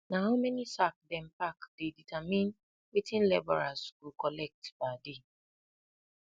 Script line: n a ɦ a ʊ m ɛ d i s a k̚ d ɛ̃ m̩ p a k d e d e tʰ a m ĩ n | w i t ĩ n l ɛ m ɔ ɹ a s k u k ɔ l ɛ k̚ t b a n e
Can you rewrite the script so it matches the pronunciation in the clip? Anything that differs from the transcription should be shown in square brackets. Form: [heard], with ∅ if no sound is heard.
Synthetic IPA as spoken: n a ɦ a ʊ m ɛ [n] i s a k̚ d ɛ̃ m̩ p a k d e d [i] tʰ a m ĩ n | w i t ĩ n l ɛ [b] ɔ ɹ a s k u k ɔ l ɛ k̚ t b a [d] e